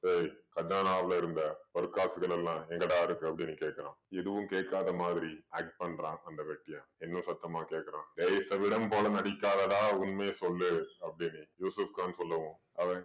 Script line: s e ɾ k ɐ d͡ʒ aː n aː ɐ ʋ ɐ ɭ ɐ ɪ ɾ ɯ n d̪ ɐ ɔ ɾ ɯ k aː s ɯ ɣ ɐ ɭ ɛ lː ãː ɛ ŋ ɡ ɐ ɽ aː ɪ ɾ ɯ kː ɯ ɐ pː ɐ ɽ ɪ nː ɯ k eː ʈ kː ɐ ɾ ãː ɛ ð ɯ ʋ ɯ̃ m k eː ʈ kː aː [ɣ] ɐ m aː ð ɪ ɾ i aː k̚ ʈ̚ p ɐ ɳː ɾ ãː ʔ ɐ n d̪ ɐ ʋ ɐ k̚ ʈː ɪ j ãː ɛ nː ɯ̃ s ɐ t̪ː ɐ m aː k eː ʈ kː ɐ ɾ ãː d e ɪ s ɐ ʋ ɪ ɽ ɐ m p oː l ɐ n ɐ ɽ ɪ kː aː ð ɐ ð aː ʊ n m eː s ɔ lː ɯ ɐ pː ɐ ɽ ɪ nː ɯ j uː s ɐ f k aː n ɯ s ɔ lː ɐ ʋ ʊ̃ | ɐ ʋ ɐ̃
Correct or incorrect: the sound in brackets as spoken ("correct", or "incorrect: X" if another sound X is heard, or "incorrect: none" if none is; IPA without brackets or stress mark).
incorrect: ð